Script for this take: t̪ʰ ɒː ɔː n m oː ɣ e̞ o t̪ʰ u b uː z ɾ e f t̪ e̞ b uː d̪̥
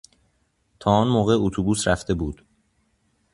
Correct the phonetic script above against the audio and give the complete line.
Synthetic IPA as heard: t̪ʰ ɒː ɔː n m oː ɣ e̞ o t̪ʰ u b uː s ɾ æ f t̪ e̞ b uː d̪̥